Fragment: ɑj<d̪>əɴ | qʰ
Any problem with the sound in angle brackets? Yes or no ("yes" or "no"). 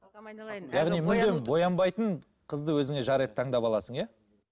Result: yes